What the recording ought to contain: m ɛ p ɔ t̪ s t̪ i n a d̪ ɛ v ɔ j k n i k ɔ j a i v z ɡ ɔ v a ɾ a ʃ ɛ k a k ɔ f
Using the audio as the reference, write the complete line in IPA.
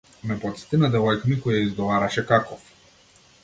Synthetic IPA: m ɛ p ɔ t̪ s t̪ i n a d̪ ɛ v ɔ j k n i k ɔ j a i z ɡ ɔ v a ɾ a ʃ ɛ k a k ɔ f